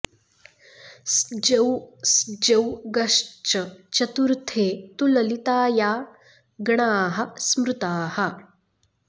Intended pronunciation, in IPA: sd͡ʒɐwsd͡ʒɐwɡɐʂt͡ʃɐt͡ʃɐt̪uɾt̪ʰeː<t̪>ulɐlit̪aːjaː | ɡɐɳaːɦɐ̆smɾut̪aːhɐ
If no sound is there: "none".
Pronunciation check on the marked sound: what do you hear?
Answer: t̪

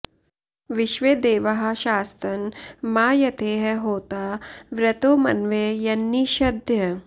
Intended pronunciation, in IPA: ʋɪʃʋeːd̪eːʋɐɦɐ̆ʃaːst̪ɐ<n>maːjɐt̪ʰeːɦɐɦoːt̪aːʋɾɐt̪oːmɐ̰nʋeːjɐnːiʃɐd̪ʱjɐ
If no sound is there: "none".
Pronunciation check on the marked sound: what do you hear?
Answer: n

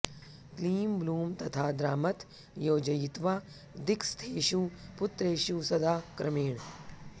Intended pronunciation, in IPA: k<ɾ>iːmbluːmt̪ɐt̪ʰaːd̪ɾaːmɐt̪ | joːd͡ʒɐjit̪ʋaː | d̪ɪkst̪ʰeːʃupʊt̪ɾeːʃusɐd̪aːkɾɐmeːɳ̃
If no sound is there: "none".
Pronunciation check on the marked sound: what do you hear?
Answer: l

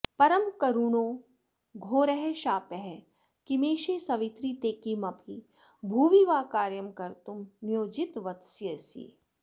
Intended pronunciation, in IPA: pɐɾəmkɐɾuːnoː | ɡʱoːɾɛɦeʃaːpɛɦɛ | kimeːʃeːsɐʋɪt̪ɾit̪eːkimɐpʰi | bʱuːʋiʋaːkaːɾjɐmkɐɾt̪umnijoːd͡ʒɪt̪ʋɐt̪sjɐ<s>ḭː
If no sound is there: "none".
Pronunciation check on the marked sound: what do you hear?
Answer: s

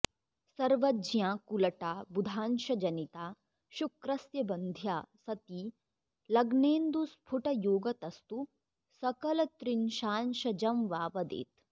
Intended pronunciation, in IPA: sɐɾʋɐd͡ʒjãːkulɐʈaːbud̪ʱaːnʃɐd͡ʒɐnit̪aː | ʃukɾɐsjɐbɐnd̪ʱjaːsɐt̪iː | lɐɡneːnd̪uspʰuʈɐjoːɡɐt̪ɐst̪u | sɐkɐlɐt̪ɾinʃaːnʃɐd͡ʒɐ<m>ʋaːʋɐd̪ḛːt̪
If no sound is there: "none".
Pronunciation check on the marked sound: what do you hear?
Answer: m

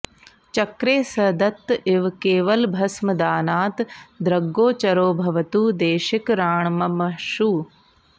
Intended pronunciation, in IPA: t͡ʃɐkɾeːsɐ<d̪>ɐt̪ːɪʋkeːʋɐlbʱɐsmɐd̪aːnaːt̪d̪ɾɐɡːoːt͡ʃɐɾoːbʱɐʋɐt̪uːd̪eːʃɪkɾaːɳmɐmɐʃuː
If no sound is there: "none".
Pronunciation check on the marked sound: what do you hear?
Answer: d̪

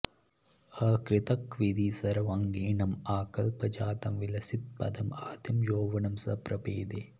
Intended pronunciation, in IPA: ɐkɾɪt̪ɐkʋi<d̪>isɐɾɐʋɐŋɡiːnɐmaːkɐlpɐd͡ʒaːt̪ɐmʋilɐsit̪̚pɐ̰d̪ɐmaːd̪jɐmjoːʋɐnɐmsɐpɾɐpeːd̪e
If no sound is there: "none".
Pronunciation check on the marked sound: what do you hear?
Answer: d̪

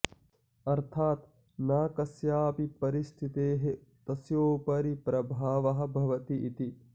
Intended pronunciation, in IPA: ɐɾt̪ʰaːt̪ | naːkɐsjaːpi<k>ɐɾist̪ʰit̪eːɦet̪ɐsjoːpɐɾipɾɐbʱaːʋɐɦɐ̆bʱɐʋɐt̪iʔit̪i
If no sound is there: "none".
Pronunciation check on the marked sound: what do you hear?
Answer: p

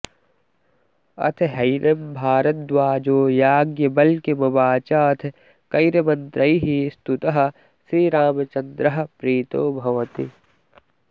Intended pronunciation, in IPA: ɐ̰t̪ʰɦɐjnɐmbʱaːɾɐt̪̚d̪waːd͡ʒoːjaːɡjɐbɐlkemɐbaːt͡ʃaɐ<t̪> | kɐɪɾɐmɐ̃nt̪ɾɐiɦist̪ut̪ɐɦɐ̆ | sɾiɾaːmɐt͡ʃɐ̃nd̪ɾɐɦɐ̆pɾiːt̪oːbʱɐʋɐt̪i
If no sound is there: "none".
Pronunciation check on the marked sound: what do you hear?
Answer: t̪ʰ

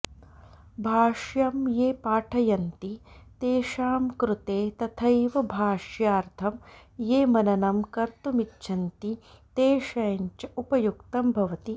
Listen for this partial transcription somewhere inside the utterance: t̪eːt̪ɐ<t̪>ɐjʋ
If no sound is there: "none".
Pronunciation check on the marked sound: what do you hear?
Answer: t̪ʰ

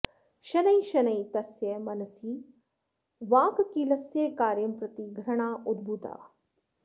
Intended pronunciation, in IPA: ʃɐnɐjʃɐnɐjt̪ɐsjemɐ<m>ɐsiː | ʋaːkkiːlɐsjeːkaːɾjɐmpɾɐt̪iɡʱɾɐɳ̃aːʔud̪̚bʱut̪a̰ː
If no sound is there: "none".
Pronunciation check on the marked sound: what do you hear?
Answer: n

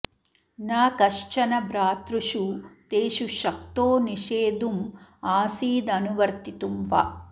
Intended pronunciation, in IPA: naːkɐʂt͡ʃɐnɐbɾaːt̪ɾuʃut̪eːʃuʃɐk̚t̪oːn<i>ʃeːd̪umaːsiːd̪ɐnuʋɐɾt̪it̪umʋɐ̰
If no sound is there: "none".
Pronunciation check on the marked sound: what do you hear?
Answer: i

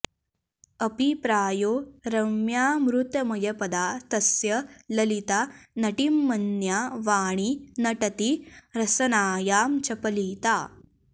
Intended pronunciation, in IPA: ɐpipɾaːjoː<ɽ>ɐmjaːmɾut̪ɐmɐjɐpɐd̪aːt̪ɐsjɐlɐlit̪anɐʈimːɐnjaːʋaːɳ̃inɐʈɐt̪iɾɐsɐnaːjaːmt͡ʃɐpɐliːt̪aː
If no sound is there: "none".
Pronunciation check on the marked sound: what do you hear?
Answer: ɾ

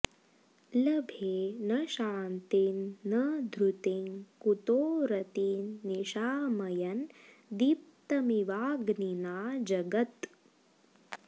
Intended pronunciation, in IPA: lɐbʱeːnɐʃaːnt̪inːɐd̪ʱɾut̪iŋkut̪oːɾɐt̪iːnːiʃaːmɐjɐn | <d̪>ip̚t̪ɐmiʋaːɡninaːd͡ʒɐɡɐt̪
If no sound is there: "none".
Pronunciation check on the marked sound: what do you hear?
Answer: d̪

